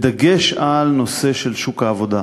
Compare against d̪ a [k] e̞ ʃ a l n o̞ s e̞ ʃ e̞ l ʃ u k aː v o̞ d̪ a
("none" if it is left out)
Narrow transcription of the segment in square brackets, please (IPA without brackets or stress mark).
ɡ